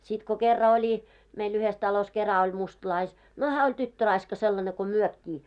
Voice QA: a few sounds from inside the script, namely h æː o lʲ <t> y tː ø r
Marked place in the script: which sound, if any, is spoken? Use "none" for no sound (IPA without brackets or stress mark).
t